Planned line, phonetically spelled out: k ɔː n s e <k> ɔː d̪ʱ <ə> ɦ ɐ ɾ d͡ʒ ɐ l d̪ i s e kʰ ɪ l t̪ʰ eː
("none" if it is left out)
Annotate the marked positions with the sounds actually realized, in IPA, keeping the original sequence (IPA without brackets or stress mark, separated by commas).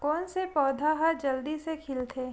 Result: p, a